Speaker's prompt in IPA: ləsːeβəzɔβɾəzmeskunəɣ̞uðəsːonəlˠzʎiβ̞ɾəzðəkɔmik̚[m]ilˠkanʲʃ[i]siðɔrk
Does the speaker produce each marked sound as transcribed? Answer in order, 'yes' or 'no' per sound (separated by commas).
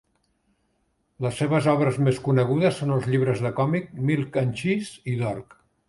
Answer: yes, yes